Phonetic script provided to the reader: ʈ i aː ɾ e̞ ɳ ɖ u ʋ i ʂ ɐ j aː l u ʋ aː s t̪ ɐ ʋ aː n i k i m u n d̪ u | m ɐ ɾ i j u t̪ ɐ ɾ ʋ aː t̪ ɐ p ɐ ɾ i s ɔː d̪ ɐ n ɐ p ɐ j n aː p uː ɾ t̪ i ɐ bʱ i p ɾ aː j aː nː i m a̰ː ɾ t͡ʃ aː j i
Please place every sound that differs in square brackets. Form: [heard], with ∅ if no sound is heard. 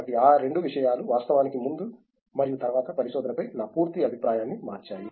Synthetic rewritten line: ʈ i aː ɾ e̞ ɳ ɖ u ʋ i ʂ ɐ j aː l u ʋ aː s t̪ ɐ ʋ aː n i k i m u n d̪ u | m ɐ ɾ i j u t̪ ɐ ɾ ʋ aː t̪ ɐ p ɐ ɾ i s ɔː d̪ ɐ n ɐ p ɐ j n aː p uː ɾ t̪ i ɐ bʱ i p ɾ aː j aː nː i m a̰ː ɾ t͡ʃ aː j i

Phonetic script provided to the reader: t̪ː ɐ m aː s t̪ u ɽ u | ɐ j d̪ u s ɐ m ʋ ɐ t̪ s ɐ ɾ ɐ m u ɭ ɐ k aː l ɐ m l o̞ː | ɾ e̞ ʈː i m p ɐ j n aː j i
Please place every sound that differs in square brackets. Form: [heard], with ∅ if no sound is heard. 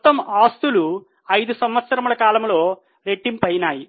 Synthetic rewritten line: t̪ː ɐ m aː s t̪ u [l] u | ɐ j d̪ u s ɐ m ʋ ɐ t̪ s ɐ ɾ ɐ m u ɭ ɐ k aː l ɐ m l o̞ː | ɾ e̞ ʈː i m p ɐ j n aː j i

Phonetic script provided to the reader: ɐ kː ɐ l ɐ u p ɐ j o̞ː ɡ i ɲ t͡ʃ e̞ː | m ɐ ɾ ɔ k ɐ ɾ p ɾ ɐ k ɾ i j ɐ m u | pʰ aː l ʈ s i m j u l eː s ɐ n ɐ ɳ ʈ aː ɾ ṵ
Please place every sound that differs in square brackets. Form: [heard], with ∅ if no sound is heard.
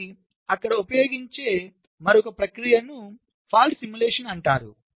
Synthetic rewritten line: ɐ kː ɐ [ɽ] ɐ u p ɐ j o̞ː ɡ i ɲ t͡ʃ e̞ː | m ɐ ɾ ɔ k ɐ [∅] p ɾ ɐ k ɾ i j ɐ [n] u | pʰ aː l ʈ s i m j u l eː [ʂ] ɐ n ɐ ɳ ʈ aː ɾ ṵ

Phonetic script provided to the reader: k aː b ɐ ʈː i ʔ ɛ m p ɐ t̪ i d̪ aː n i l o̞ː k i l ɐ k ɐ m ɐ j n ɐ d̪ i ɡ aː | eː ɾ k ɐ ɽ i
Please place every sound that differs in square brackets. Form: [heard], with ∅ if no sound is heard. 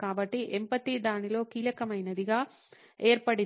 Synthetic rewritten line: k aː b ɐ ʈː i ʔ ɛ m p ɐ t̪ i d̪ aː n i l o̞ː k [iː] l ɐ k ɐ m ɐ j n ɐ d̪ i ɡ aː | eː ɾ [p] ɐ ɽ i

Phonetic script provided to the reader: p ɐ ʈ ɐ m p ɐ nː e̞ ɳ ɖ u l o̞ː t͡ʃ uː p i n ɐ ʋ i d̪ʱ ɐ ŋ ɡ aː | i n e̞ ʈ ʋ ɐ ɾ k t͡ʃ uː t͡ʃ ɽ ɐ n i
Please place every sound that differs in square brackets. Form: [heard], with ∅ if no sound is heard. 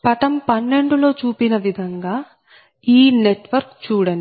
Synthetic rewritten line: p ɐ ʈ ɐ m p ɐ nː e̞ ɳ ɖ u l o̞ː t͡ʃ uː p i n ɐ ʋ i d̪ʱ ɐ ŋ ɡ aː | [iː] n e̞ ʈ ʋ ɐ ɾ k t͡ʃ uː [∅] ɽ ɐ n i

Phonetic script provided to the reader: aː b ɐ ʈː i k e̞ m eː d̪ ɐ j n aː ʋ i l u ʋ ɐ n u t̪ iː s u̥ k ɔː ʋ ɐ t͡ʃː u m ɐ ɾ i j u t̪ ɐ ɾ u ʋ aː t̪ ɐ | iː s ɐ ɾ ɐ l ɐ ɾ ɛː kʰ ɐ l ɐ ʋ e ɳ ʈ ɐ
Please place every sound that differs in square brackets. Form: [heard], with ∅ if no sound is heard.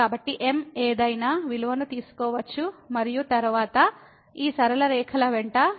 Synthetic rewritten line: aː b ɐ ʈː i [ʔ] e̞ m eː d̪ ɐ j n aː ʋ i l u ʋ ɐ n u t̪ iː s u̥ k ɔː ʋ ɐ t͡ʃː u m ɐ ɾ i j u t̪ ɐ ɾ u ʋ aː t̪ ɐ | iː s ɐ ɾ ɐ l ɐ ɾ ɛː kʰ ɐ l ɐ ʋ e ɳ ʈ ɐ

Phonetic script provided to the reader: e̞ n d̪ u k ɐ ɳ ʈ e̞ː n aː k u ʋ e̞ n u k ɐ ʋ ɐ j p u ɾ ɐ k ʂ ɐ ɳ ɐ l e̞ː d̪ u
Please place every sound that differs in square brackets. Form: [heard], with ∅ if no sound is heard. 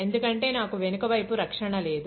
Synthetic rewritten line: e̞ n d̪ u k ɐ ɳ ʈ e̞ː n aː k u ʋ e̞ n u k ɐ ʋ ɐ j p u ɾ ɐ k ʂ ɐ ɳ ɐ l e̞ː d̪ u

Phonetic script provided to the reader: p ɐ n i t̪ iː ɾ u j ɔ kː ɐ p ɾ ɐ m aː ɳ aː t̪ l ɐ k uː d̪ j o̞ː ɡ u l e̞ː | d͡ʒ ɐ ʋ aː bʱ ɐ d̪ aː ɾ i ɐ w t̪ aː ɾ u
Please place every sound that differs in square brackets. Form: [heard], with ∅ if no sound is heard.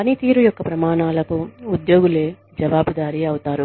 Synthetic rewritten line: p ɐ n i t̪ iː ɾ u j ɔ kː ɐ p ɾ ɐ m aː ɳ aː [∅] l ɐ k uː d̪ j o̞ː ɡ u l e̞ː | d͡ʒ ɐ ʋ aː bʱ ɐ d̪ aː ɾ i ɐ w t̪ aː ɾ u

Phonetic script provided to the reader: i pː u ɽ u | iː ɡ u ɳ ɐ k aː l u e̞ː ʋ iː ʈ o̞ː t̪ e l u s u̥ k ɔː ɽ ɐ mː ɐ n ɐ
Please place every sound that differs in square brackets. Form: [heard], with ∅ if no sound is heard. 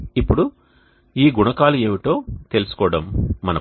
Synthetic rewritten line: i pː u ɽ u | iː ɡ u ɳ ɐ k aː l u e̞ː ʋ [i] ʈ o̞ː t̪ e l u s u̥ k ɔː ɽ ɐ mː ɐ n ɐ

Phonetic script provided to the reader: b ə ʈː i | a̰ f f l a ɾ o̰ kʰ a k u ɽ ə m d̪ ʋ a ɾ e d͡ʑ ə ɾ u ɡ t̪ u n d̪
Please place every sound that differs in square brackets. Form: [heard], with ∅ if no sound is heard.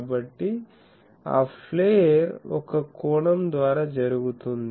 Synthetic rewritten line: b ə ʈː i | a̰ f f l [e] ɾ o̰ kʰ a k [o] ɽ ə m d̪ ʋ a ɾ [a] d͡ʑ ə ɾ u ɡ t̪ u n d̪

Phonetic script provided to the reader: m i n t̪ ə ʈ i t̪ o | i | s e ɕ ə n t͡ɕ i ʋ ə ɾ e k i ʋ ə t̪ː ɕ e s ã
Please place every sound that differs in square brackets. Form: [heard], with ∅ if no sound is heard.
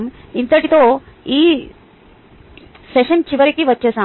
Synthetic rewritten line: m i n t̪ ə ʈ i t̪ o | i | s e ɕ ə n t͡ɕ i ʋ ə ɾ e k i ʋ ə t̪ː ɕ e s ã

